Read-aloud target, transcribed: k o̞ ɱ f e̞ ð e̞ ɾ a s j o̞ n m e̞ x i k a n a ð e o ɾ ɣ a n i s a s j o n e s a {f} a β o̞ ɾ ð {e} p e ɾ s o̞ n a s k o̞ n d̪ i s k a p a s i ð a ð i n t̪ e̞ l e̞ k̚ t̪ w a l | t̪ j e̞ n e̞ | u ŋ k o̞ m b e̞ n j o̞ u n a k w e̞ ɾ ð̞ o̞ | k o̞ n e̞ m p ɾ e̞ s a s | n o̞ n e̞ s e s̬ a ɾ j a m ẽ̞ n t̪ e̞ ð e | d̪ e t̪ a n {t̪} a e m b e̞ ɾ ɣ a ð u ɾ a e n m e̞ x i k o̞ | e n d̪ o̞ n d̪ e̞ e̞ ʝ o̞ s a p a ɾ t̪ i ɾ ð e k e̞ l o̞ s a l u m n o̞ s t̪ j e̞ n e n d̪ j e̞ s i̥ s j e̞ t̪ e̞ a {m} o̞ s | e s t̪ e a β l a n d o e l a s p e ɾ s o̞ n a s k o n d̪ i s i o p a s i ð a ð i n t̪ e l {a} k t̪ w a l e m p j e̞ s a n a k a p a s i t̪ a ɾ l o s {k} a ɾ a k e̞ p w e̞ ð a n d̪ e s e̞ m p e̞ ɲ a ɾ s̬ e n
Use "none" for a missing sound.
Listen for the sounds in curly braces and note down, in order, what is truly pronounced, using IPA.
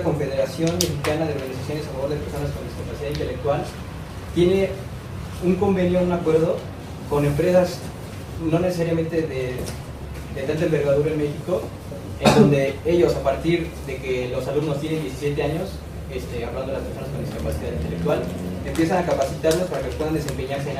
f, e, t̪, ɲ, e, p

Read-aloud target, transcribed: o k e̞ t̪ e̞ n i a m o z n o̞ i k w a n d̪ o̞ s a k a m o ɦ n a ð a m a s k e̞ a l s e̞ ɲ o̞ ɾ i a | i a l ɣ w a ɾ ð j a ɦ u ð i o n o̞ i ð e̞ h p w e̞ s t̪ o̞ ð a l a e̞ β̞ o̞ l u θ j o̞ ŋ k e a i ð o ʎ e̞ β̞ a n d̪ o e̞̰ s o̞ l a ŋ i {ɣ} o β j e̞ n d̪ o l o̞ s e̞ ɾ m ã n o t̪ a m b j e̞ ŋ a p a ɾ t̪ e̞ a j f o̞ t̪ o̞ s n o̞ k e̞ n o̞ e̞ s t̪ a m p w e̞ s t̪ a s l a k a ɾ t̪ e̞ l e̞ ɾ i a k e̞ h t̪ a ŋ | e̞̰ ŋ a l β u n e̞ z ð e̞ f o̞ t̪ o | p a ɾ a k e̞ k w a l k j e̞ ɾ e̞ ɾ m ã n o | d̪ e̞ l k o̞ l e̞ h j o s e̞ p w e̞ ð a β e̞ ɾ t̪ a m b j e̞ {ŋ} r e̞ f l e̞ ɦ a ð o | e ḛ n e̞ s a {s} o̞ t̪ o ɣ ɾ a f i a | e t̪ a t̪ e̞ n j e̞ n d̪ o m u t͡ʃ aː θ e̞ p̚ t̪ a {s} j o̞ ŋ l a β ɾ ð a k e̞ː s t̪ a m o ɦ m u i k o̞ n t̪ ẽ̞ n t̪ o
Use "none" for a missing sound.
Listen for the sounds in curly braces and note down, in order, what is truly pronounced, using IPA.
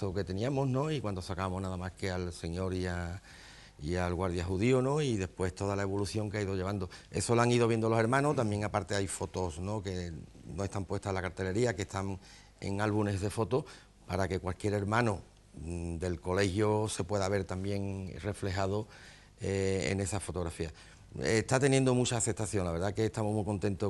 ð, ŋ, f, θ

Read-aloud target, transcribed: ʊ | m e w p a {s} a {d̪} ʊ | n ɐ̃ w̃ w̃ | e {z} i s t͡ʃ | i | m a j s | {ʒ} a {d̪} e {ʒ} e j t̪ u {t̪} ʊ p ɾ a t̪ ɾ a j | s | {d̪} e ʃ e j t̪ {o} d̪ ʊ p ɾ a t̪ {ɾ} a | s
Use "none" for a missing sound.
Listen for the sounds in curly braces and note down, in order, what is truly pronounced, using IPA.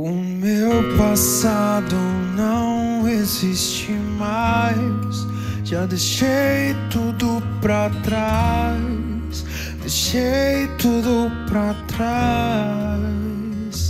s, d̪, z, ʒ, d̪, ʃ, d̪, d̪, u, ɾ

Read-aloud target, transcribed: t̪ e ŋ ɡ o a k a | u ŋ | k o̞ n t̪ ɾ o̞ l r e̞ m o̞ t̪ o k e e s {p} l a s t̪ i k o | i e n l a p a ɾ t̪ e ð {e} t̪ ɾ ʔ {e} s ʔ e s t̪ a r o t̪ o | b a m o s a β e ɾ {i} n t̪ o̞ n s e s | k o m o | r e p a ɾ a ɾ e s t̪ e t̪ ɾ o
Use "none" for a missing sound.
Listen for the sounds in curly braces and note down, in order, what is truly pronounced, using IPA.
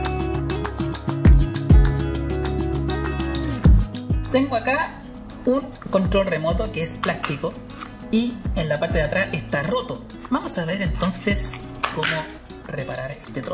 p, a, a, e

